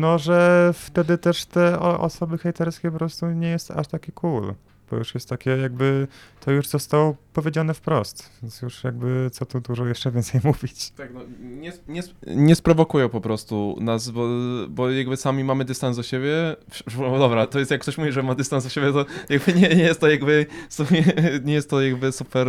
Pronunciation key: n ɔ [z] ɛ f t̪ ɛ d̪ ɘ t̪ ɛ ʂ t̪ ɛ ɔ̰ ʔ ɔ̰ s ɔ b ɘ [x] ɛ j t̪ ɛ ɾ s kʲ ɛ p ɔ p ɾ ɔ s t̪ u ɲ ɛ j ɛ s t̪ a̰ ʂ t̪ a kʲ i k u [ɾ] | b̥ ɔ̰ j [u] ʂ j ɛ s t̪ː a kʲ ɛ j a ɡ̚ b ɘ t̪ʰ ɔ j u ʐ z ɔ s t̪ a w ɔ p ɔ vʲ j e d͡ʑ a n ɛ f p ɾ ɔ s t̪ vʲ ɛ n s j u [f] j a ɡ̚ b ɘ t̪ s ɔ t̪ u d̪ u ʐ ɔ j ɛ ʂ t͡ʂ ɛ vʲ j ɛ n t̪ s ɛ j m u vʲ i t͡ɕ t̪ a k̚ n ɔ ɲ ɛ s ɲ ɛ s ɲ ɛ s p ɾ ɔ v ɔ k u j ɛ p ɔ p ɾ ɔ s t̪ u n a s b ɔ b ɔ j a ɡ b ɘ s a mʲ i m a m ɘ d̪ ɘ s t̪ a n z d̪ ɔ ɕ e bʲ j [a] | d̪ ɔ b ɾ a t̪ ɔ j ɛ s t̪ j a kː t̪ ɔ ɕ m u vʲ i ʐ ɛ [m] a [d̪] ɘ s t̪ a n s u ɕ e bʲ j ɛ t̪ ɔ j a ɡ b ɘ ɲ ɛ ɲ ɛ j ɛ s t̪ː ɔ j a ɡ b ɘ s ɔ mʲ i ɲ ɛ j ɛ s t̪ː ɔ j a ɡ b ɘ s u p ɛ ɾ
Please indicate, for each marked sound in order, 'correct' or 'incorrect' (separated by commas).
incorrect, correct, incorrect, correct, incorrect, incorrect, correct, correct